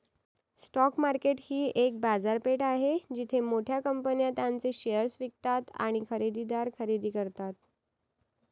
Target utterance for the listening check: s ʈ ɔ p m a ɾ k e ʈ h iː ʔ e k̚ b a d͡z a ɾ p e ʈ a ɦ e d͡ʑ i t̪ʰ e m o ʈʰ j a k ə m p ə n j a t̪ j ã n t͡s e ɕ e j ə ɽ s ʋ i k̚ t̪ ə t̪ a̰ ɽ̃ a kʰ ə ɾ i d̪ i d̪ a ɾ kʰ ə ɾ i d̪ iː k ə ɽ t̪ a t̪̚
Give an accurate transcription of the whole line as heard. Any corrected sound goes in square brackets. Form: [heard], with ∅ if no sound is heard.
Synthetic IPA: s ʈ ɔ [k] m a ɾ k e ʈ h iː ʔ e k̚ b a d͡z a ɾ p e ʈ a ɦ e d͡ʑ i t̪ʰ e m o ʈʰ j a k ə m p ə n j a t̪ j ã n t͡s e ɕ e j ə [ɾ] s ʋ i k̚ t̪ [a] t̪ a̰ ɽ̃ [i] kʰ ə ɾ i d̪ i d̪ a ɾ kʰ ə ɾ i d̪ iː k ə [ɾ] t̪ a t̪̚